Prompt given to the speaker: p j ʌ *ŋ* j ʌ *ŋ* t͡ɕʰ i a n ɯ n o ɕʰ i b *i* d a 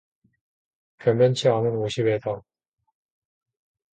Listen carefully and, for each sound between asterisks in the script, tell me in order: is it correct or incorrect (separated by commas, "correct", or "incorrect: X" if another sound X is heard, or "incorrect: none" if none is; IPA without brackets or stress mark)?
incorrect: m, incorrect: n, incorrect: e